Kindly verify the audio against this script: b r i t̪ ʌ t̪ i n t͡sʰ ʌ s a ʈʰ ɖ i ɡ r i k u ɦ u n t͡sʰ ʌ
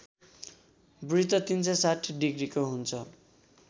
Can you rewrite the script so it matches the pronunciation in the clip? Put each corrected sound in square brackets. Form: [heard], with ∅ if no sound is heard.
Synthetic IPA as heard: b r i t̪ ʌ t̪ i n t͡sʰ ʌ s a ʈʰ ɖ i ɡ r i k [o] ɦ u n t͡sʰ ʌ